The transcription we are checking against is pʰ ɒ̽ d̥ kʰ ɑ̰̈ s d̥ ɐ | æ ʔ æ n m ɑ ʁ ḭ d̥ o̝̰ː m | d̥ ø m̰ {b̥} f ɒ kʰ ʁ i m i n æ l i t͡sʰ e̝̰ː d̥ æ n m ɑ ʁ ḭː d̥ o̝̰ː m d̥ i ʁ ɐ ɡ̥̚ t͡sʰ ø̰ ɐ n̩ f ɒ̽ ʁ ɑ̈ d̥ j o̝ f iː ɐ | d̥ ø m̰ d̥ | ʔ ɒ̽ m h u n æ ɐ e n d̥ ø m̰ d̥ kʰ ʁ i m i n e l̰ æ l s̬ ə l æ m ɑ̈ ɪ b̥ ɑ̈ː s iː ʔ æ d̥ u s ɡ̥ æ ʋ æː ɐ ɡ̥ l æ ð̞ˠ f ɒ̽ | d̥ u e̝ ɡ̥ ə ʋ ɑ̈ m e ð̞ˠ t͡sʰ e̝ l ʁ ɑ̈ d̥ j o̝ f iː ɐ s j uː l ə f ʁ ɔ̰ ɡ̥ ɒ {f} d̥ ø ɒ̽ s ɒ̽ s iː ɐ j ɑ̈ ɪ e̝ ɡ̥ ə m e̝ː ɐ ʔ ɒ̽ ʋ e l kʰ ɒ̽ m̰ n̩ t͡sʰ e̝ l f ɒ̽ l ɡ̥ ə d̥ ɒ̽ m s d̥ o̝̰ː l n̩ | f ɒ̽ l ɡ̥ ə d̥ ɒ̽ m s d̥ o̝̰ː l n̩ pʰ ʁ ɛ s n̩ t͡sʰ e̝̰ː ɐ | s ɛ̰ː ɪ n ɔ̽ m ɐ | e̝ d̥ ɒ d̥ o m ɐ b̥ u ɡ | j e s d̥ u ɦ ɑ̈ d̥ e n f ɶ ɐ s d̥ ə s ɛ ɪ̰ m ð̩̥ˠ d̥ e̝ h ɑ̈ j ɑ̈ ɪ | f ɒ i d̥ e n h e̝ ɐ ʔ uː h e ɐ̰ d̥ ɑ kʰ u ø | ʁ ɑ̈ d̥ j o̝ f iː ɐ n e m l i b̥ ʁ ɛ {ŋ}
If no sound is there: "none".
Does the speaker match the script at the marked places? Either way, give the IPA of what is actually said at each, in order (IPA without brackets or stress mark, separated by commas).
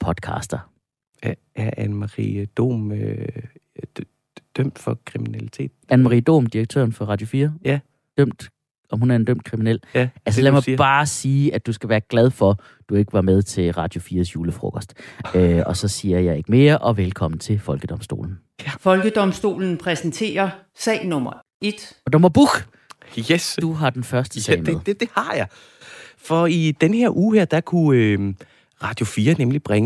d̥, s, ŋ